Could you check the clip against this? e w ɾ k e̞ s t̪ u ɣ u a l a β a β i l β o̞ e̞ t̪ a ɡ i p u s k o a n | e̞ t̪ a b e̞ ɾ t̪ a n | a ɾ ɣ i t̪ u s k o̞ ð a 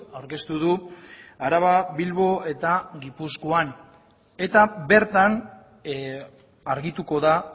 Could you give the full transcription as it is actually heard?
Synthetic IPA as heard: a w ɾ k e̞ s t̪ u ð u a ɾ a β a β i l β o̞ e̞ t̪ a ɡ i p u s k o a n | e̞ t̪ a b e̞ ɾ t̪ a n | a ɾ ɣ i t̪ u k o̞ ð a